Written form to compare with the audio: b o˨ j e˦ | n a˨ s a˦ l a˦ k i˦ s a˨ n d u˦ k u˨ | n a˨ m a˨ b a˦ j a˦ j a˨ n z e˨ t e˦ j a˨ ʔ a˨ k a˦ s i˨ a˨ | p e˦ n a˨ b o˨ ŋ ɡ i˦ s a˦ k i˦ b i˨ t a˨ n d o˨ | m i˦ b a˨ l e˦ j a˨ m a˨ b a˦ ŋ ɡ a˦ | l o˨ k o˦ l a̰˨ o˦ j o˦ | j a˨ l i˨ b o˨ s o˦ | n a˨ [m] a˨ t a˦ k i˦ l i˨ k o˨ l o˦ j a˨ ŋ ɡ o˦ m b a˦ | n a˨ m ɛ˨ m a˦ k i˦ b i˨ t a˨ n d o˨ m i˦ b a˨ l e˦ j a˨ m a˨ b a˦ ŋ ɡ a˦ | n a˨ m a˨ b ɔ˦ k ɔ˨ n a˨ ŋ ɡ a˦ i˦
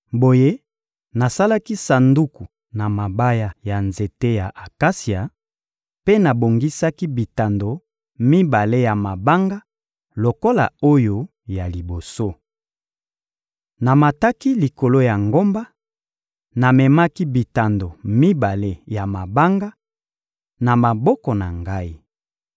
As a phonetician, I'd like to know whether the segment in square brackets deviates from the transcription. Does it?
no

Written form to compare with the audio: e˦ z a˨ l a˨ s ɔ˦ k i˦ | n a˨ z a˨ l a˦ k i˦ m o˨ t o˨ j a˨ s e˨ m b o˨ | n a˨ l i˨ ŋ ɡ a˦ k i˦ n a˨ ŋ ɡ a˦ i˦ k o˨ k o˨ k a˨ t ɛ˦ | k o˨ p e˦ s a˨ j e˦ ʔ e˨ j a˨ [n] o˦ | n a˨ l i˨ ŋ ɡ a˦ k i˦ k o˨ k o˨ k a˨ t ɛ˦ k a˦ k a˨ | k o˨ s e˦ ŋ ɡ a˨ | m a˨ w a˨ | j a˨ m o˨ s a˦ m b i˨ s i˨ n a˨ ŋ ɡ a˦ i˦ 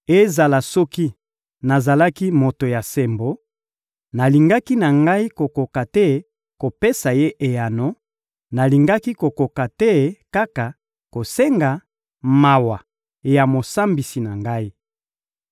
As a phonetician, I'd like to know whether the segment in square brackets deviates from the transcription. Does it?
no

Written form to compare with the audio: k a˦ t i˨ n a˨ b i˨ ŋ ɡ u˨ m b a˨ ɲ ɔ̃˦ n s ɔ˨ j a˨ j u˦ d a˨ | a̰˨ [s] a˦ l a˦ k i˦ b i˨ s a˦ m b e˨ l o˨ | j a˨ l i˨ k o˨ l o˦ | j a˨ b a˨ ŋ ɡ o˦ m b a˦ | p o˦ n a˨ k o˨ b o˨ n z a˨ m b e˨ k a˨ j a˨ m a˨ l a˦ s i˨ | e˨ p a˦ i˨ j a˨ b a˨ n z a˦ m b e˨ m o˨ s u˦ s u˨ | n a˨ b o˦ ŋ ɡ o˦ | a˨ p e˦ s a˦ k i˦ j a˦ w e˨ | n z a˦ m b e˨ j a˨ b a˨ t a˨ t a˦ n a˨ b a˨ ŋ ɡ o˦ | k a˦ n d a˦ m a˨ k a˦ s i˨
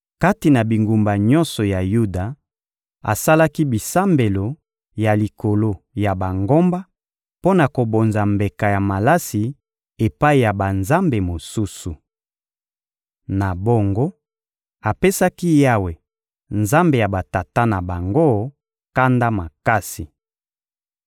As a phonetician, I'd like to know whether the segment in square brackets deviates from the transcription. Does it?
no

